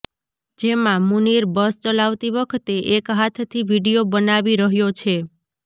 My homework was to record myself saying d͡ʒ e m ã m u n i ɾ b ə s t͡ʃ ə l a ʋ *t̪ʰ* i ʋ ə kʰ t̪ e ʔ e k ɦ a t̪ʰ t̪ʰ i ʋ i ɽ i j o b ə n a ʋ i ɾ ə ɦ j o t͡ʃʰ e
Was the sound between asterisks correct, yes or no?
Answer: no